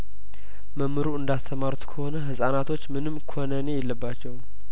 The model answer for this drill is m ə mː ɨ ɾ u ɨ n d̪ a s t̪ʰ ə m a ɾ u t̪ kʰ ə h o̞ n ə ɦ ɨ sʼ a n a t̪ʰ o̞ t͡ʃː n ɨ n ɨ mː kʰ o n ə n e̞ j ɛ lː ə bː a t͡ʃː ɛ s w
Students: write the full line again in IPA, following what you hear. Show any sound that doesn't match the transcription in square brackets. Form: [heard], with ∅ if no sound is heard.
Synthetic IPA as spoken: m ə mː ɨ ɾ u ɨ n d̪ a s t̪ʰ ə m a ɾ u t̪ kʰ ə h o̞ n ə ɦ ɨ sʼ a n a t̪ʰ o̞ t͡ʃː [m] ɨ n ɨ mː kʰ o n ə n e̞ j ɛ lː ə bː a t͡ʃː ɛ [∅] w